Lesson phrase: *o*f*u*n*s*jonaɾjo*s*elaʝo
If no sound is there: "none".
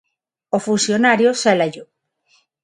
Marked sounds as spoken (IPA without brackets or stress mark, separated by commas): o, u, s, s